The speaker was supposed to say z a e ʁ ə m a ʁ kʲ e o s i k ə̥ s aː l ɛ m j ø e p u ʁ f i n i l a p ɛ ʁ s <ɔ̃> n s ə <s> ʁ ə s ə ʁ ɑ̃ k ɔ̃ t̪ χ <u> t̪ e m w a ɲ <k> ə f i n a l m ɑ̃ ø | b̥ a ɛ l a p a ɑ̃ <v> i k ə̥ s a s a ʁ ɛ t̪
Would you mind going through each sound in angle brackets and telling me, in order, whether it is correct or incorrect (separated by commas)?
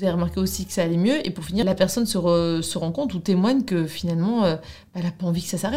incorrect, incorrect, correct, correct, correct